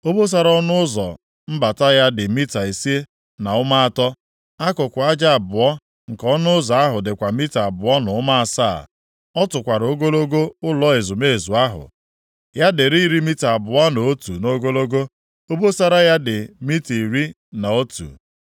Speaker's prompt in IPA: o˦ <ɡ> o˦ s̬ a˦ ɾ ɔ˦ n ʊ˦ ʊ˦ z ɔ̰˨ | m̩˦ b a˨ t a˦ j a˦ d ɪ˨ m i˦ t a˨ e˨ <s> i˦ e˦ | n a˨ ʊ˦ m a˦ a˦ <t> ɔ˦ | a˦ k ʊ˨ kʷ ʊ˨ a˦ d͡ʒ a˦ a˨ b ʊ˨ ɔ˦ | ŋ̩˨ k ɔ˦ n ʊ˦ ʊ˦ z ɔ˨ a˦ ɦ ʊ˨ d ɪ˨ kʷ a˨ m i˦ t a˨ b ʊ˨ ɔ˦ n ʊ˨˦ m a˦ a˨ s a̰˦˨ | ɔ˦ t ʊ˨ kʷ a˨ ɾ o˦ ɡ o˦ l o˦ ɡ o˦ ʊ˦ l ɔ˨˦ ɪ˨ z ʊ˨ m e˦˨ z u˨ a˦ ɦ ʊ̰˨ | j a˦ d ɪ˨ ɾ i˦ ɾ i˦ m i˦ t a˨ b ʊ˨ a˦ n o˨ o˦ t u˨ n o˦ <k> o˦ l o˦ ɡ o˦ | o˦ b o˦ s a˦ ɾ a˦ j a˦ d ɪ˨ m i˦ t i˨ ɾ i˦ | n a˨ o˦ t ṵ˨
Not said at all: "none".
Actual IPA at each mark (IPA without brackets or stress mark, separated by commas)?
b, s, t, ɡ